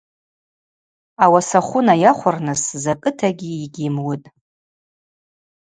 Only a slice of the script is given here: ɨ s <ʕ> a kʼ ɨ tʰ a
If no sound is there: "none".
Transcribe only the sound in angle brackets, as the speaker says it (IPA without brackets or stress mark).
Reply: z